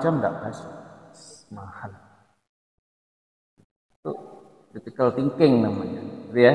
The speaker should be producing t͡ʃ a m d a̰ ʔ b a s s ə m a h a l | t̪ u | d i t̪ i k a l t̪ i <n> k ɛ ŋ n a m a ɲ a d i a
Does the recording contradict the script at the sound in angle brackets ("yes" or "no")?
yes